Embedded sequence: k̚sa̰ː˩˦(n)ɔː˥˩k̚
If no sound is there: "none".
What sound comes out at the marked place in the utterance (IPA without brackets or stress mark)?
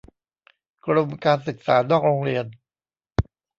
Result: n